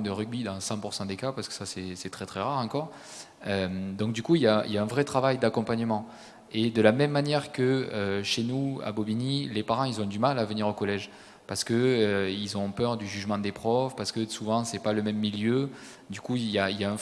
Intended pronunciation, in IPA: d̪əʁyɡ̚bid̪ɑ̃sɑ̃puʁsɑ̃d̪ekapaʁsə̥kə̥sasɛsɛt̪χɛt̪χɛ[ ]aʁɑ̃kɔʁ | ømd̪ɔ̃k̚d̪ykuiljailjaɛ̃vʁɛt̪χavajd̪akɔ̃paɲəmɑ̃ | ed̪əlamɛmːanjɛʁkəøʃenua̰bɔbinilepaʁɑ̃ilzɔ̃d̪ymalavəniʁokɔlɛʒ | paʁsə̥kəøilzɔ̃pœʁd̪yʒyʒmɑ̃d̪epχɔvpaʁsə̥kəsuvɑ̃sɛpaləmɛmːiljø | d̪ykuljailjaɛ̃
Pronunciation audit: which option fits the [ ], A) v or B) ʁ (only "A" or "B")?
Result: B